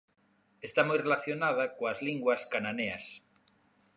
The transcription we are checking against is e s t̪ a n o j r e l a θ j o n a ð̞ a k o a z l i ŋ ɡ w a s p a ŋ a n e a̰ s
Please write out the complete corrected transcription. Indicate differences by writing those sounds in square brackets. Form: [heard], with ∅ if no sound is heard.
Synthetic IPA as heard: e s t̪ a [m] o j r e l a θ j o n a ð̞ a k o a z l i ŋ ɡ w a s [k] a [n] a n e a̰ s